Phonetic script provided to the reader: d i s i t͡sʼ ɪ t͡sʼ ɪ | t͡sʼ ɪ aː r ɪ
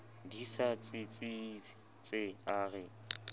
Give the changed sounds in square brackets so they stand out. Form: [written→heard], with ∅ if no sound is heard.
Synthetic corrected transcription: d i s [i→a] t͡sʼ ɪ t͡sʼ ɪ | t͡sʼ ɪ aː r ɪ